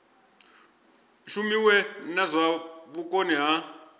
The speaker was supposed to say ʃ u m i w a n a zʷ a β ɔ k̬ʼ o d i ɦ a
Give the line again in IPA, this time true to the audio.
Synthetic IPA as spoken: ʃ u m i w ɛ n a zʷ a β u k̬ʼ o n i ɦ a